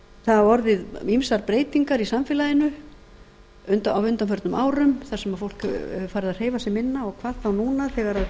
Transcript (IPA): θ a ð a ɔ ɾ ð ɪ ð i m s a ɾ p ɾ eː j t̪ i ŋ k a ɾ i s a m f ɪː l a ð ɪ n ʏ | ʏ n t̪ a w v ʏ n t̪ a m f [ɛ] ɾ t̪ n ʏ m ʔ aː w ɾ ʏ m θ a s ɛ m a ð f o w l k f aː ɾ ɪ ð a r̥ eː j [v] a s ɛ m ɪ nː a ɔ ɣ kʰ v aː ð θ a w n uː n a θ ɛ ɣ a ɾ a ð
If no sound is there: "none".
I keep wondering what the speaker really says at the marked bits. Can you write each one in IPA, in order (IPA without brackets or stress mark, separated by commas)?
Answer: œ, v